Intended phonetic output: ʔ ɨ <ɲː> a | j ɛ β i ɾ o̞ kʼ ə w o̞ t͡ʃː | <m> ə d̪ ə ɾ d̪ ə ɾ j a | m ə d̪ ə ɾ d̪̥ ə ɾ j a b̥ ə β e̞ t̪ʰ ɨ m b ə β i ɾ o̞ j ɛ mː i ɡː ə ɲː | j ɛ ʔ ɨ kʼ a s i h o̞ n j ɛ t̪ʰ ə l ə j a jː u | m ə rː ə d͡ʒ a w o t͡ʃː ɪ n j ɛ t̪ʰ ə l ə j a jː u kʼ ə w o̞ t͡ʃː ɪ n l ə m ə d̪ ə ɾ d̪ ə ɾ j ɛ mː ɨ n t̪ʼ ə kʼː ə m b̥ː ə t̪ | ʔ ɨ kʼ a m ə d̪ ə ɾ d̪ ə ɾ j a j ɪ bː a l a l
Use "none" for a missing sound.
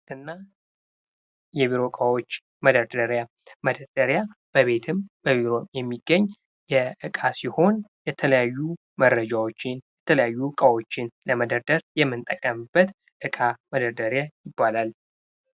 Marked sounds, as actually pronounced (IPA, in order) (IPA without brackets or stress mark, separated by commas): nː, m